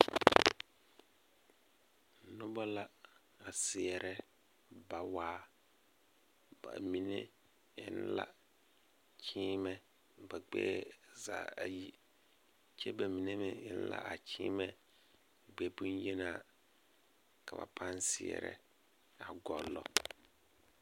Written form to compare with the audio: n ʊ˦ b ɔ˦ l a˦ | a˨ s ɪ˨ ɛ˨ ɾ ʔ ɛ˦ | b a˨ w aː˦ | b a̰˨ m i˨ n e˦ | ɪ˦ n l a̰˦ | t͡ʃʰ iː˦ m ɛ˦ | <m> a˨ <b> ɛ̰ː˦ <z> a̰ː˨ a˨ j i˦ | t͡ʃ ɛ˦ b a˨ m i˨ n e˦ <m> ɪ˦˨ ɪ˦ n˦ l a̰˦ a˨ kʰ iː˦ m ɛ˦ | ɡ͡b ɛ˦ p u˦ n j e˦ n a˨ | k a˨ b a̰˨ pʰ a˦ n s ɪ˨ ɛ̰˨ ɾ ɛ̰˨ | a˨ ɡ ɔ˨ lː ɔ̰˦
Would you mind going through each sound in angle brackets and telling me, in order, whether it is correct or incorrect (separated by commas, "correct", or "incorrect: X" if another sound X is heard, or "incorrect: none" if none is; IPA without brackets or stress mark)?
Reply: incorrect: b, incorrect: ɡ͡b, correct, correct